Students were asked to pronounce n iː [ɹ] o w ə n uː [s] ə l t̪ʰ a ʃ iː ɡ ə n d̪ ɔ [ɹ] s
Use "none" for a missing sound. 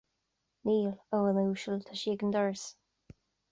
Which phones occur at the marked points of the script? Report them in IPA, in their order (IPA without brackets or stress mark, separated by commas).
l, ʃ, ɹ